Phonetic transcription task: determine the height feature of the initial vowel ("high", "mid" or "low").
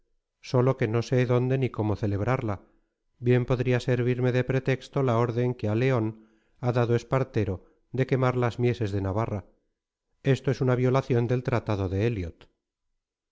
mid